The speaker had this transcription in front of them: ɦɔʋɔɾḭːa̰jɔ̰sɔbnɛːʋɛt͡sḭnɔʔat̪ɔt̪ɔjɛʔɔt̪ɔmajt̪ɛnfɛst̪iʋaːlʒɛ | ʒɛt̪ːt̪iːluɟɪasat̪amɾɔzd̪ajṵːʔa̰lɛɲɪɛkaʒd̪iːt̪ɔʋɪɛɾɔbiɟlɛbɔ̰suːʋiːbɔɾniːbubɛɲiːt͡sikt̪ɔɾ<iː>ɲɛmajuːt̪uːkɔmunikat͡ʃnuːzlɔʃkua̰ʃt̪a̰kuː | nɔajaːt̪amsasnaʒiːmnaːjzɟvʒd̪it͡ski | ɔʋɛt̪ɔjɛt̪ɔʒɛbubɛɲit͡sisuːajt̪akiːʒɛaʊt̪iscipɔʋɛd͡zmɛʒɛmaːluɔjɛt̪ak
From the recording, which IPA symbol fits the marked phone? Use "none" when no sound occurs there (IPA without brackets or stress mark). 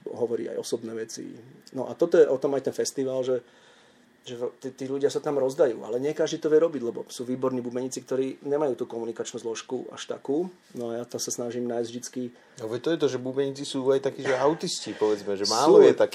iː